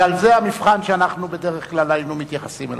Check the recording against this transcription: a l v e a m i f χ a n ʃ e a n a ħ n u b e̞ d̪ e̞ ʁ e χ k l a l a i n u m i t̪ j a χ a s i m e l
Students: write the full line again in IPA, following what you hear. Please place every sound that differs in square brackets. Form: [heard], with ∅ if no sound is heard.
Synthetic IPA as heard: a l [z] e a m i f χ a n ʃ e a n a [χ] n u b e̞ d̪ e̞ ʁ e χ k l a l a i n u m i t̪ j a χ a s i m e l